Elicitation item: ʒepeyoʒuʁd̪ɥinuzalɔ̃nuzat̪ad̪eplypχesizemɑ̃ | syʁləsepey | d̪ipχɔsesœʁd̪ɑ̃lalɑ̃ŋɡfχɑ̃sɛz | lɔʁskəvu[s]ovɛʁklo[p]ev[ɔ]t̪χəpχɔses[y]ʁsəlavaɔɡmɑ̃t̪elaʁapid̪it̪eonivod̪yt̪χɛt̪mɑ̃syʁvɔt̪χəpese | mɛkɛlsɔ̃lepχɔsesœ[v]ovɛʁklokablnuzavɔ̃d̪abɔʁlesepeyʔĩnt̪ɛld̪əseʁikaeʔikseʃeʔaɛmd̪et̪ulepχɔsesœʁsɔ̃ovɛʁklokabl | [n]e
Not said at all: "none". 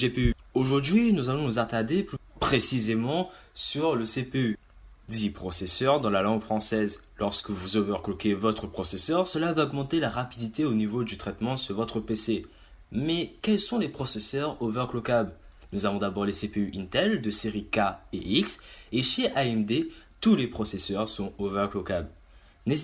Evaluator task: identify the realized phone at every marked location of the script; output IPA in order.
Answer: z, k, ɔ, œ, ʁ, n

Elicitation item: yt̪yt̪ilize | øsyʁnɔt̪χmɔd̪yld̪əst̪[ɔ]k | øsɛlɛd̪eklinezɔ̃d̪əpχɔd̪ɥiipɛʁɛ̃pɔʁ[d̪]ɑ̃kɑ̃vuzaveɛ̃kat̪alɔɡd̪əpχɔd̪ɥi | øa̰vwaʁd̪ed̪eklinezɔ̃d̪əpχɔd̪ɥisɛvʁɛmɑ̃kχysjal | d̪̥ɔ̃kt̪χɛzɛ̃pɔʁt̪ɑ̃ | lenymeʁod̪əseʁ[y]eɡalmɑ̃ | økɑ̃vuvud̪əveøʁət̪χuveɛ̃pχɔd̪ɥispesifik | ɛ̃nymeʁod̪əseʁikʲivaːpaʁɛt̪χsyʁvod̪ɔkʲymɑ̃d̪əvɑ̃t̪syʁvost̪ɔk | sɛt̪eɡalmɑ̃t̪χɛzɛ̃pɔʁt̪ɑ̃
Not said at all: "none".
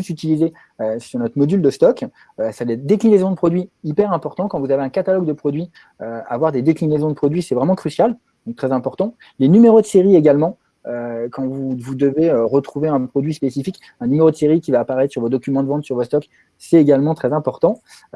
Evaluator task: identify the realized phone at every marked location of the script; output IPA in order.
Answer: ɔ, t̪, i

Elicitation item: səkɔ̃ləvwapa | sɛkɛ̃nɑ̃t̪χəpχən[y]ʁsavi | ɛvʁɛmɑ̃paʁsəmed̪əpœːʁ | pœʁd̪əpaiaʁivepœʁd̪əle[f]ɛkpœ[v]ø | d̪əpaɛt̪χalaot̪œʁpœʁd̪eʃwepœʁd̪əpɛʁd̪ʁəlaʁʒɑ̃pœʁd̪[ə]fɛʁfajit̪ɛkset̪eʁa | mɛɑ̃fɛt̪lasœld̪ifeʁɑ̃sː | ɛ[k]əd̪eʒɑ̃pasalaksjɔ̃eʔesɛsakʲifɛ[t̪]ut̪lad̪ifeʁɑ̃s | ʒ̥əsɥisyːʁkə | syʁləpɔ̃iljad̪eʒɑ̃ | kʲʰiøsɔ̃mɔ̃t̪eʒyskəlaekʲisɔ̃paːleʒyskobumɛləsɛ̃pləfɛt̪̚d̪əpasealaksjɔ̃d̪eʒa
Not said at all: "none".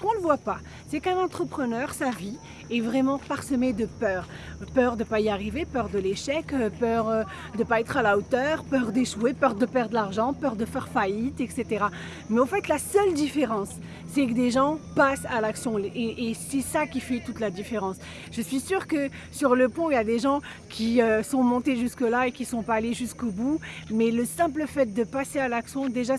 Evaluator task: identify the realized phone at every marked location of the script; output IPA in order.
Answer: œ, ʃ, ʁ, ə, k, t̪

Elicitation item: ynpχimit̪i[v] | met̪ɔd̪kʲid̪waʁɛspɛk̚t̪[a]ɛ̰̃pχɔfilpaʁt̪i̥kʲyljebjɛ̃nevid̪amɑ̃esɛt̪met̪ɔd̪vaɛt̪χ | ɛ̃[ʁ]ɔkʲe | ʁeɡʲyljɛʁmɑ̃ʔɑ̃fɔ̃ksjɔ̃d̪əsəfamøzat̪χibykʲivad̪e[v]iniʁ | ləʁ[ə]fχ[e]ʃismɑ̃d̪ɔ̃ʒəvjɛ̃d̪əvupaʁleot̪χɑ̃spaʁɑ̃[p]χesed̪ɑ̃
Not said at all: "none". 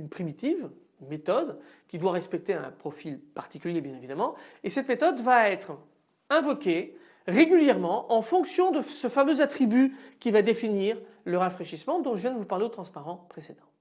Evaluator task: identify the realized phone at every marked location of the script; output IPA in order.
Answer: v, e, v, f, a, e, p

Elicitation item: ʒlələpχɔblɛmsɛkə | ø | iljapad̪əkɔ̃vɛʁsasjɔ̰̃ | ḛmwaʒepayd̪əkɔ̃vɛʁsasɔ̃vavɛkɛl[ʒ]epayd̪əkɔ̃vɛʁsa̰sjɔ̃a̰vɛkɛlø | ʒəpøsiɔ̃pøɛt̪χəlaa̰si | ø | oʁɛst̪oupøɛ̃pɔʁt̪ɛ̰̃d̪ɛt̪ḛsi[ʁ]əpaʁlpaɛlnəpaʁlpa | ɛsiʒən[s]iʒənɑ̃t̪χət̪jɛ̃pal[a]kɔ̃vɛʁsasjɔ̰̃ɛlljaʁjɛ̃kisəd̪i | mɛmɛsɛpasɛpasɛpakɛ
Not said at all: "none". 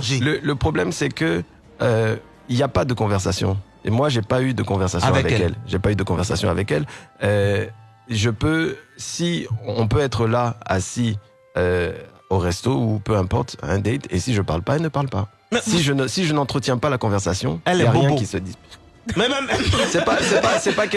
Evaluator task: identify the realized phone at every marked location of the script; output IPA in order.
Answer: ʒ, ʒ, s, a

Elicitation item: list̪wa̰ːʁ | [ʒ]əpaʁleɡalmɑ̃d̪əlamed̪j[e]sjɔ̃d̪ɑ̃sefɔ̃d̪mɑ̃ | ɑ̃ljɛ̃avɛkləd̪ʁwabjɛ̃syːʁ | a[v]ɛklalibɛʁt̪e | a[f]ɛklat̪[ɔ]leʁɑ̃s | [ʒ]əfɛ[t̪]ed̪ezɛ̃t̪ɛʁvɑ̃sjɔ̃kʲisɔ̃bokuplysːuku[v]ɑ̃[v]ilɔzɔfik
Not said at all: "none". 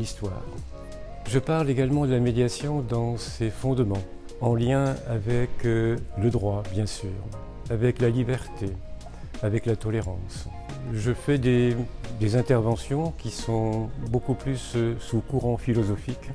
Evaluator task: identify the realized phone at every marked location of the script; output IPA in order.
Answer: ʒ, a, v, v, ɔ, ʒ, d̪, ʁ, f

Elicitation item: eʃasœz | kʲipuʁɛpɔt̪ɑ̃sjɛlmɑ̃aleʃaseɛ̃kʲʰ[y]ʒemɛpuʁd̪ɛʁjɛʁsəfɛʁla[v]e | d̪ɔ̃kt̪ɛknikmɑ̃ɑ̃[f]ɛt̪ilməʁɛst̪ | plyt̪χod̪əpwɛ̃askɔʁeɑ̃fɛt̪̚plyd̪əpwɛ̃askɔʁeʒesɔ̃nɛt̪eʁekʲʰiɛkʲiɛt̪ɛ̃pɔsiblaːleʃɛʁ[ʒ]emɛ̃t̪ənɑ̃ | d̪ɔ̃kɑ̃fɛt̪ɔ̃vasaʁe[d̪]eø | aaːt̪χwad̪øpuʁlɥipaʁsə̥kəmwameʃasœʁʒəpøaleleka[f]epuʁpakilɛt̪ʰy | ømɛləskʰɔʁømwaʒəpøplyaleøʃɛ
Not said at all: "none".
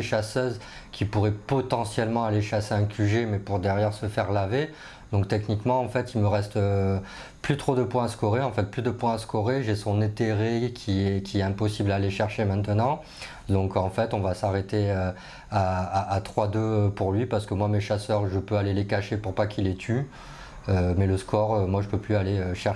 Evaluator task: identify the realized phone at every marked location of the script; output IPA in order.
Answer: y, v, f, ʃ, t̪, ʃ

